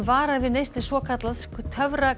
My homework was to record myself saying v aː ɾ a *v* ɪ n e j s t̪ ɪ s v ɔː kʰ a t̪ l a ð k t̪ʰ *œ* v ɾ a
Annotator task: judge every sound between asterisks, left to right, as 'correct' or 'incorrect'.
correct, correct

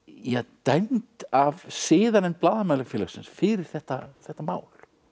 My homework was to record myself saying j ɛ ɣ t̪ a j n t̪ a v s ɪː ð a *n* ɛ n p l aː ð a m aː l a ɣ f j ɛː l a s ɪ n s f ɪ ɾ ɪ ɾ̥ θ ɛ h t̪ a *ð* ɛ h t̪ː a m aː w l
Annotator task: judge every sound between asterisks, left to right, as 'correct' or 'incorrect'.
correct, incorrect: θ

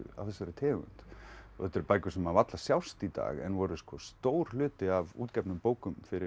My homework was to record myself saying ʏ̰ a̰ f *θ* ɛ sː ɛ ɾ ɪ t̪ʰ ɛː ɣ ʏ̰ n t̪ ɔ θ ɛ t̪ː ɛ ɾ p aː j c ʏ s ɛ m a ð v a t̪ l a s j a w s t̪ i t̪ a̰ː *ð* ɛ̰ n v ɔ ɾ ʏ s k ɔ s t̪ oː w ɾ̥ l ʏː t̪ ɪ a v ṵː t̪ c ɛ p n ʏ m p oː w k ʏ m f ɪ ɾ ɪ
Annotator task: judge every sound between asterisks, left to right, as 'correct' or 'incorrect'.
correct, incorrect: ɣ

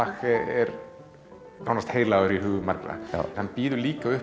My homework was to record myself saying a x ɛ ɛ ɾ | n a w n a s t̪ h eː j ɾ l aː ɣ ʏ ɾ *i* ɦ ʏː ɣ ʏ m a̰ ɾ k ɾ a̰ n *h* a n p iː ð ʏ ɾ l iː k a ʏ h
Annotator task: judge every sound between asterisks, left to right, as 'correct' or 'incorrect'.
correct, correct

